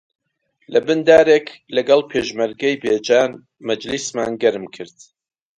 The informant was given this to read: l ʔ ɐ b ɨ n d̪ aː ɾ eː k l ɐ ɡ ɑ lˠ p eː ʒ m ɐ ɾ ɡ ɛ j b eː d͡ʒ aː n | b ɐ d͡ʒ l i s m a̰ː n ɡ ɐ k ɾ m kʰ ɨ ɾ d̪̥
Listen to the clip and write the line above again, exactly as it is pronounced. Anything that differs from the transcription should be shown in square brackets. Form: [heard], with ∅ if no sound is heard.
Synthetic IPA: l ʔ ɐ b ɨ n d̪ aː ɾ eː k l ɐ ɡ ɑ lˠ [pʰ] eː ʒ m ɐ ɾ ɡ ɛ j b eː d͡ʒ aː n | [m] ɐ d͡ʒ l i s m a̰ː n ɡ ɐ [∅] ɾ m kʰ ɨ ɾ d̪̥